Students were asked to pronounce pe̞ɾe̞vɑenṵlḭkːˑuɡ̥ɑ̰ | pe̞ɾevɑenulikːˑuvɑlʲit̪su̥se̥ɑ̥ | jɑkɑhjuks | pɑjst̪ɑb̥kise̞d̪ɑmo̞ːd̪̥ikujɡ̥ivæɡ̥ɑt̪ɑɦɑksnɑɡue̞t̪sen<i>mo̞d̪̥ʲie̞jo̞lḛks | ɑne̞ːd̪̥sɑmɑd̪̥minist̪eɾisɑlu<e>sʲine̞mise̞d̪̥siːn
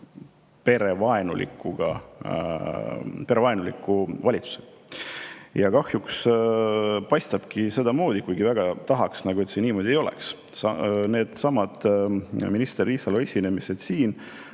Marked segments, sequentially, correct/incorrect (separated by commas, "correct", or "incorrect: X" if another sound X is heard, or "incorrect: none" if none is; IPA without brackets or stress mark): incorrect: iː, correct